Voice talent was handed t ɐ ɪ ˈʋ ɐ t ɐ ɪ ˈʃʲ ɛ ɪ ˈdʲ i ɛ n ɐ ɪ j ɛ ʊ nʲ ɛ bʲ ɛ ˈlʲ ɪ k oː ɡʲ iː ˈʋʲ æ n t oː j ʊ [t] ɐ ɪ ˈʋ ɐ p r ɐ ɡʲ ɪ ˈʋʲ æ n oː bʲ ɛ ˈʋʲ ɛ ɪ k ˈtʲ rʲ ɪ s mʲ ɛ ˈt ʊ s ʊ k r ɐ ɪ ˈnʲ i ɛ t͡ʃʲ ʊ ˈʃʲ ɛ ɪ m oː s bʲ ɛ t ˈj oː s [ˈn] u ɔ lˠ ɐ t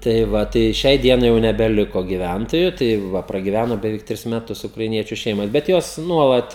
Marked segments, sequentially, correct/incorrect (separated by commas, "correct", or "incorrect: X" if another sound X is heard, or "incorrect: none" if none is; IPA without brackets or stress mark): correct, correct